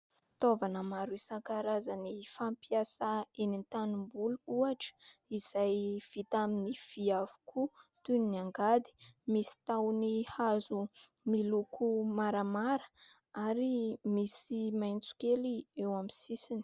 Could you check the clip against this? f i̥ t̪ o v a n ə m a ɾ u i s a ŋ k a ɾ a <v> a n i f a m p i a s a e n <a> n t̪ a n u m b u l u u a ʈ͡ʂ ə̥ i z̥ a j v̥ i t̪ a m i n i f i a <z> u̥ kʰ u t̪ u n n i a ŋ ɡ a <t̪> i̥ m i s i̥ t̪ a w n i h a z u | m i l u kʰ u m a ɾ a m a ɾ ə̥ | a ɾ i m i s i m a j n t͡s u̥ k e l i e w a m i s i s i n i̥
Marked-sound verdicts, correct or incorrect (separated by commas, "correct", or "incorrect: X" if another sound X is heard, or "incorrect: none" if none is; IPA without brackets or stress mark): incorrect: z, incorrect: i, incorrect: v, incorrect: d̪